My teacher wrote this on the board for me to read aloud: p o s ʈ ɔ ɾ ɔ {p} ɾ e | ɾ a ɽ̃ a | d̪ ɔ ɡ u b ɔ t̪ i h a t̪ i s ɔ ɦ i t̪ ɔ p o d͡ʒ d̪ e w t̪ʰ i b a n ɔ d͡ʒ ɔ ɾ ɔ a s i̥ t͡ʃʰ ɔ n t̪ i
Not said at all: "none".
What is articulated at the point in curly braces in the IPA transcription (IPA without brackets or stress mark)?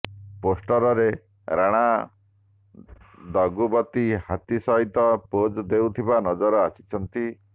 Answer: none